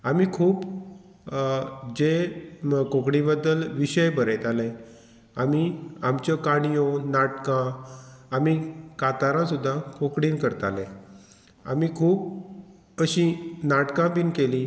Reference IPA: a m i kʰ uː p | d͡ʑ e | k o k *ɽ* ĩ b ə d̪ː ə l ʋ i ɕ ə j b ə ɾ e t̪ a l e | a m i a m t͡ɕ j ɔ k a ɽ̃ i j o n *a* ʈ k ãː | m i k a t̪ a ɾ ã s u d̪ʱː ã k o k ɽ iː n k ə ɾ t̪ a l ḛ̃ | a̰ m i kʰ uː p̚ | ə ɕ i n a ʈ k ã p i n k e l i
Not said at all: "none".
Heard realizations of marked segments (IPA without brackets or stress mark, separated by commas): ɽ, a